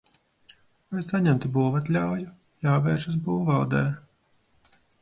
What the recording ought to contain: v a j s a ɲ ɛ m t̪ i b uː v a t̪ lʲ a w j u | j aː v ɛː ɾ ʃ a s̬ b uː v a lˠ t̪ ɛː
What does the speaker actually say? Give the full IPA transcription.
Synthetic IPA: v a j s a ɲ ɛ m t̪ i b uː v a t̪ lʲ a w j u | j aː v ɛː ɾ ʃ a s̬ b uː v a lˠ d̪ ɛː